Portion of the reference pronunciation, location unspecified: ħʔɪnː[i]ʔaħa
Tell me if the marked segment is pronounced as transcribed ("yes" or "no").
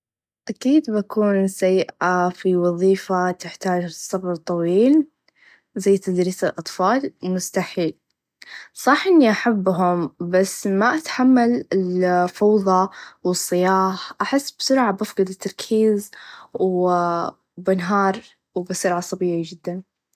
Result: yes